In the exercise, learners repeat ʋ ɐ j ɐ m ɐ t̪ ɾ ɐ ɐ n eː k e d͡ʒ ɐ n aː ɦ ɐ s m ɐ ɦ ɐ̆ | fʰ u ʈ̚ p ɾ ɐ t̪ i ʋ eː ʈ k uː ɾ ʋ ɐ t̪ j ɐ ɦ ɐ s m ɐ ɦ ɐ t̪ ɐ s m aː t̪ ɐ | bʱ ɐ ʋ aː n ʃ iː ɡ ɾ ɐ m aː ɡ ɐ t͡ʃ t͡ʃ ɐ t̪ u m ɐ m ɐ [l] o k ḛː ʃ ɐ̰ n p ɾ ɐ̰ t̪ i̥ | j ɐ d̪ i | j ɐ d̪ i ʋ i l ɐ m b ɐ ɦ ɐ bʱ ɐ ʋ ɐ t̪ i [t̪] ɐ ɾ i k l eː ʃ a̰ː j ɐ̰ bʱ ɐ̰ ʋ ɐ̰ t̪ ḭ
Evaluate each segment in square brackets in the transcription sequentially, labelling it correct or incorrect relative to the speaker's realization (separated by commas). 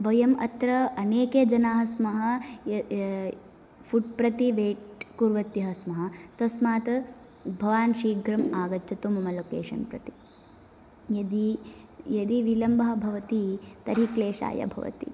correct, correct